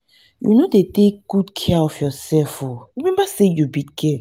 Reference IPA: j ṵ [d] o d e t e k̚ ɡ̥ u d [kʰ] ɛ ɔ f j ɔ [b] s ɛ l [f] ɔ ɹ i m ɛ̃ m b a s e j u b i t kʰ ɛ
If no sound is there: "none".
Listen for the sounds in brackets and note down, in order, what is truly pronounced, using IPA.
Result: n, kʰ, none, f

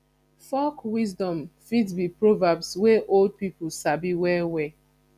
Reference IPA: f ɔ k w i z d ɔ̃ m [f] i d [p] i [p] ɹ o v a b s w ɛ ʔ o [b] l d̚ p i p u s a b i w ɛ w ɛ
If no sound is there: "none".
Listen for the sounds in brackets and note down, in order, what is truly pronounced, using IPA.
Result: f, b, p, none

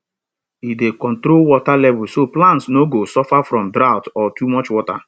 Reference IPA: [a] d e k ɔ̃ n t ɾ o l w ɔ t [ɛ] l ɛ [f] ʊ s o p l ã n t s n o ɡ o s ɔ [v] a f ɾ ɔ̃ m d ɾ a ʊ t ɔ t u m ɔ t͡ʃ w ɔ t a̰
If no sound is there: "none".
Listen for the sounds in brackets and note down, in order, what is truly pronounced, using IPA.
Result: i, a, v, f

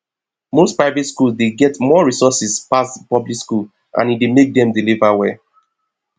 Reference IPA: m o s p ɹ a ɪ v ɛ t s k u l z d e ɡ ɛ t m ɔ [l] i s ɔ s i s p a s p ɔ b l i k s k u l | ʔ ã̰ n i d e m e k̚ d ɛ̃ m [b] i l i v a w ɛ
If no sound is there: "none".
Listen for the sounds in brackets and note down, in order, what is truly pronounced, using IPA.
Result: ɹ, d

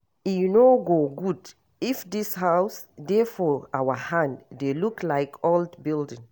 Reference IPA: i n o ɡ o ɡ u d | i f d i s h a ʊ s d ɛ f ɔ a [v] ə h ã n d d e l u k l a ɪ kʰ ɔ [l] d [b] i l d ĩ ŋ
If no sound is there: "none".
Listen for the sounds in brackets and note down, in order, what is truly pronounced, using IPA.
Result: w, l, b

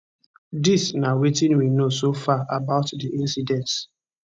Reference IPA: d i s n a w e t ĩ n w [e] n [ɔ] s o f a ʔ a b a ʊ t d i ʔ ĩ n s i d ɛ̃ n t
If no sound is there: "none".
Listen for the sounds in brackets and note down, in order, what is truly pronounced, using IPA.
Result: i, o

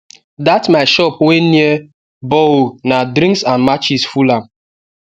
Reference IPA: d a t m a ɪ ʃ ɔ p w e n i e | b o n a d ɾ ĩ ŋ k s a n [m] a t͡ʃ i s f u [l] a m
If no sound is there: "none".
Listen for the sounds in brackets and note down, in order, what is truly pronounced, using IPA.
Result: m, l

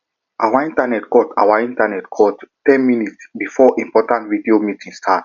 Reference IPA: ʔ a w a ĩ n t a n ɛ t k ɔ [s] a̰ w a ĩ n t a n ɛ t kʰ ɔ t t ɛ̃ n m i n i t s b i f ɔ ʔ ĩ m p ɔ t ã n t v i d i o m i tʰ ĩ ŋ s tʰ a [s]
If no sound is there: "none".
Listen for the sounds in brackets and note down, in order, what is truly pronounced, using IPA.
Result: t, t

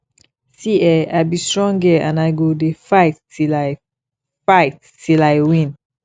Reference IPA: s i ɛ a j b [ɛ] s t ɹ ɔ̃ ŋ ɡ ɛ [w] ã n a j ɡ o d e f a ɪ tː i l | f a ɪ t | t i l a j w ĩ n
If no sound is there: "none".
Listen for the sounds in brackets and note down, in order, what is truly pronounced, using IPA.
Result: i, none

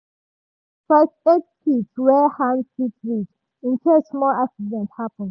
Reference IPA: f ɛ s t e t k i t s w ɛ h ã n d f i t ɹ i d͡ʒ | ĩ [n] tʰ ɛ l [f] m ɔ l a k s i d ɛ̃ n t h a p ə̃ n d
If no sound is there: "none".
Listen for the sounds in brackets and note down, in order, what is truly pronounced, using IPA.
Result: n, s

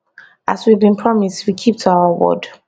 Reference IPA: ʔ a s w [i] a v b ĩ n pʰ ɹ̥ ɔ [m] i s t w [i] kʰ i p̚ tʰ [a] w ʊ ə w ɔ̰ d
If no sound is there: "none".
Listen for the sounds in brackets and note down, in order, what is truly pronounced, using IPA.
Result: i, m, i, a

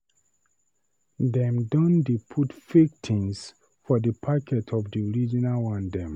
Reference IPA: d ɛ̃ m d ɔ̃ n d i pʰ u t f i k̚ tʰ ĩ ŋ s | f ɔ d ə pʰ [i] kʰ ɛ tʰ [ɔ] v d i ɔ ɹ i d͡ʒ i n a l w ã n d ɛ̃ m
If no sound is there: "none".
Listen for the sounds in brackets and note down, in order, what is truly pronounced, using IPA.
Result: a, ɔ

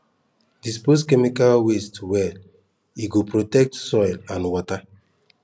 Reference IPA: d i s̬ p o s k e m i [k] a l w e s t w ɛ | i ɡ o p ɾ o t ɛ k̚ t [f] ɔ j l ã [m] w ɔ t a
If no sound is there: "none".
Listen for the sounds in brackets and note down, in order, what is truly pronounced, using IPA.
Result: k, s, n

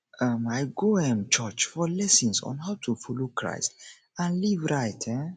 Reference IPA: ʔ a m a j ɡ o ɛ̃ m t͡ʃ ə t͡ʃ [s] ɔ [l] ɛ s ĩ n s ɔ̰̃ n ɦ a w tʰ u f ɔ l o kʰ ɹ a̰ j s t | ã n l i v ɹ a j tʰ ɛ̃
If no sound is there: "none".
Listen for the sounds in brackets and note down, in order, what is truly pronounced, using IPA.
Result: f, l

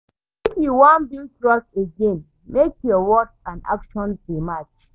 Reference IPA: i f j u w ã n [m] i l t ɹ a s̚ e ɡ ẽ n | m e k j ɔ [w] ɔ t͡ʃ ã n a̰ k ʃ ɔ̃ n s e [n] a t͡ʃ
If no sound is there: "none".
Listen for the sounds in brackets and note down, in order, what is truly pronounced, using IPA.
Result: b, w, m

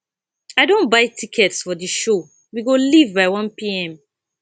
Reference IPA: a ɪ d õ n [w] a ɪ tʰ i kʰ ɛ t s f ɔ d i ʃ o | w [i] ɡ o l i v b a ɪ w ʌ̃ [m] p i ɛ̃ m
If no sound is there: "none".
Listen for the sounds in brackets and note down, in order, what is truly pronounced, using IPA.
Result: b, i, n

